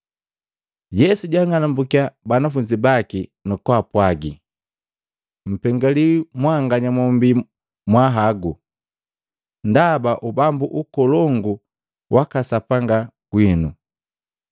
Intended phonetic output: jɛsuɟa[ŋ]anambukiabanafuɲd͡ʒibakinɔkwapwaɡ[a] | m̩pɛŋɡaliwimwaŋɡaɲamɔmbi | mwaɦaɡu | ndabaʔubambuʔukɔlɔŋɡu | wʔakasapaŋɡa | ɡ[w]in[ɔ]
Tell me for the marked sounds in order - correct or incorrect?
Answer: correct, incorrect, correct, incorrect

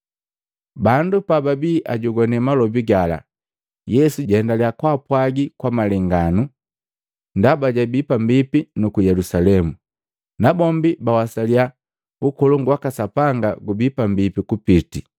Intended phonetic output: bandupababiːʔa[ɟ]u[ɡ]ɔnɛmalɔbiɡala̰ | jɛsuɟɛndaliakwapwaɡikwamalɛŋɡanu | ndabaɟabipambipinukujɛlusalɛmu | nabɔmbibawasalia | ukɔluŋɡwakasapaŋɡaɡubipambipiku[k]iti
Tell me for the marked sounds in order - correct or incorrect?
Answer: correct, correct, incorrect

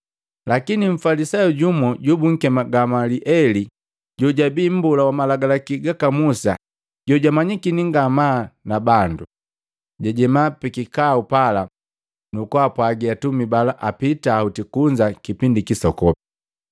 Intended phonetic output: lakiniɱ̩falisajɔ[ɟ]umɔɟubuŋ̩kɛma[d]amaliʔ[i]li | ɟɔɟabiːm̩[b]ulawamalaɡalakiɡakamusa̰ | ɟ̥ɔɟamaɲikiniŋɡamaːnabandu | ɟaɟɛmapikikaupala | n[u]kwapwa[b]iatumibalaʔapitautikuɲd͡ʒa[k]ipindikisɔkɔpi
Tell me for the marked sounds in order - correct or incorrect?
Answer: correct, incorrect, incorrect, correct, correct, incorrect, correct

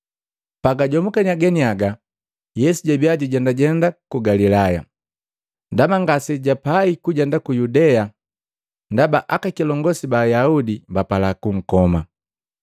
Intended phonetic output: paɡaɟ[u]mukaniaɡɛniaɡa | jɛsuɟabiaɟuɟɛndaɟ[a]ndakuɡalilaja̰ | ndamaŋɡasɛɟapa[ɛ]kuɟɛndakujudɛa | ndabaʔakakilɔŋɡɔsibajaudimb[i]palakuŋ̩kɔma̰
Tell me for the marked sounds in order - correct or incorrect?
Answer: incorrect, incorrect, incorrect, incorrect

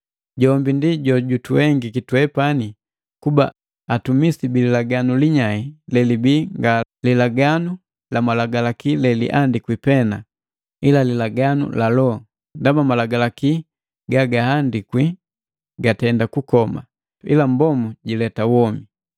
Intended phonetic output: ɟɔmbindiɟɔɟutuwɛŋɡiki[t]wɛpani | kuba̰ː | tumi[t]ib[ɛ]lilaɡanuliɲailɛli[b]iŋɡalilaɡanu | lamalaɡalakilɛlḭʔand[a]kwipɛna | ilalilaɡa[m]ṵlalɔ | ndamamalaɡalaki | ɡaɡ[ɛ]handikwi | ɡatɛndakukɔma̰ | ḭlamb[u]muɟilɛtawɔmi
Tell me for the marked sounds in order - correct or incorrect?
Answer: correct, incorrect, incorrect, correct, incorrect, incorrect, incorrect, incorrect

